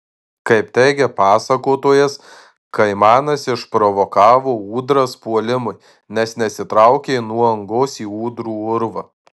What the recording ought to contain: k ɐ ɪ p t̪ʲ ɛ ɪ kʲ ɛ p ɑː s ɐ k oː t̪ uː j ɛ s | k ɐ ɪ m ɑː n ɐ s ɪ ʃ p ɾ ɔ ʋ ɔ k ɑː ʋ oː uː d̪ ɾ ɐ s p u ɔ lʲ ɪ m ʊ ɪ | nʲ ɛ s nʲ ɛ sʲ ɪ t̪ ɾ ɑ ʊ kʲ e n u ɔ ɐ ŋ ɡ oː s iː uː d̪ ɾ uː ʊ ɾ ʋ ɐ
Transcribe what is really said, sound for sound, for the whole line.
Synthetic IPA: k ɐ ɪ p t̪ʲ ɛ ɪ ɡʲ ɛ p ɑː s ɐ k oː t̪ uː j ɛ s | k ɐ ɪ m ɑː n ɐ s ɪ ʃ p ɾ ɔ ʋ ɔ k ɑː ʋ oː uː d̪ ɾ ɐ s p u ɔ lʲ ɪ m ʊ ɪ | nʲ ɛ s nʲ ɛ sʲ ɪ t̪ ɾ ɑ ʊ kʲ e n u ɔ ɐ ŋ ɡ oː s iː uː d̪ ɾ uː ʊ ɾ ʋ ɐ